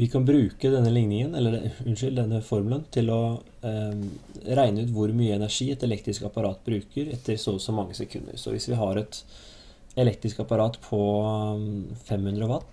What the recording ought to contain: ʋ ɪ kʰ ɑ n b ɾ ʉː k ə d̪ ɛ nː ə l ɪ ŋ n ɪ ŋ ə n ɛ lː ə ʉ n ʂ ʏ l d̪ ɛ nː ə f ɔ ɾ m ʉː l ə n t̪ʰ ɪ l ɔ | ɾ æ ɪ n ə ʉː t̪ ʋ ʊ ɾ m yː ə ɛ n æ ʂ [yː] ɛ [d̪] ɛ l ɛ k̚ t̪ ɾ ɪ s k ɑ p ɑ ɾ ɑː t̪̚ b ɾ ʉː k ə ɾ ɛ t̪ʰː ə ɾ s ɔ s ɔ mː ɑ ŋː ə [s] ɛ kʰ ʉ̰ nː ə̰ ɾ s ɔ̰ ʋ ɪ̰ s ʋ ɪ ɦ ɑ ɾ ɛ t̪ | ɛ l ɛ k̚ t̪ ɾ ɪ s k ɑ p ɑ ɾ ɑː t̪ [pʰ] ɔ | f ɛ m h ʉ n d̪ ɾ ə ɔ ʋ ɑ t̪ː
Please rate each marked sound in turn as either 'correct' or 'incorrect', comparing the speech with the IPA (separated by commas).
incorrect, incorrect, correct, correct